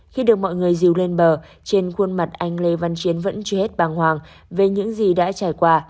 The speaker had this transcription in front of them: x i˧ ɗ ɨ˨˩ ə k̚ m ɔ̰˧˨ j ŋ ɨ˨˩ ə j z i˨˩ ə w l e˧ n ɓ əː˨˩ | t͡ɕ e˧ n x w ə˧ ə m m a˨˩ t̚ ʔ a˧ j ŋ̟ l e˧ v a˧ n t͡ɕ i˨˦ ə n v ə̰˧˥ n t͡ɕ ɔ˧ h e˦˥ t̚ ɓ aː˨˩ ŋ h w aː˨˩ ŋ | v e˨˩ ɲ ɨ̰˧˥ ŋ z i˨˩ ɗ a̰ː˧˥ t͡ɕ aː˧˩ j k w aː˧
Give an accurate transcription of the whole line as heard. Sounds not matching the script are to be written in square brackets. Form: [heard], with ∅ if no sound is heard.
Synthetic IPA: x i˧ ɗ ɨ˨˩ ə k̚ m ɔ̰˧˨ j ŋ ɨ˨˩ ə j z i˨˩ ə w l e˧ n ɓ əː˨˩ | t͡ɕ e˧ n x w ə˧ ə [n] m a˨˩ t̚ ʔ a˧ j ŋ̟ l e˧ v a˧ n t͡ɕ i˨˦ ə n v ə̰˧˥ n t͡ɕ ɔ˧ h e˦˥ t̚ ɓ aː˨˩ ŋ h w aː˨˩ ŋ | v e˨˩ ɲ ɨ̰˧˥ ŋ z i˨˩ ɗ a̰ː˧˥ t͡ɕ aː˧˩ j k w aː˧